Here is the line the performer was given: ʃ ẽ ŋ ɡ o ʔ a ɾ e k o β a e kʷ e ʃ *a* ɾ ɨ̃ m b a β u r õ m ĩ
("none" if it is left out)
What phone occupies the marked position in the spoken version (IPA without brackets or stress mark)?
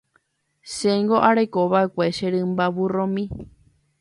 e